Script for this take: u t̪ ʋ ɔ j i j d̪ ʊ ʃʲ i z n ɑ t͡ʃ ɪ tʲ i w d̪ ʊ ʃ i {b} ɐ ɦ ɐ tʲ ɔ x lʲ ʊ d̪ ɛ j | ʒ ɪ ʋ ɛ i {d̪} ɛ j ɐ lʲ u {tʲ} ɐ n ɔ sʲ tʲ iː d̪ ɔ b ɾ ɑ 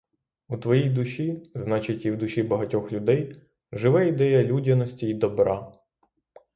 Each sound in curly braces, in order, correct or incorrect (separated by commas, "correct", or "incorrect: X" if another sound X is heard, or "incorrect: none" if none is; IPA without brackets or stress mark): correct, correct, incorrect: dʲ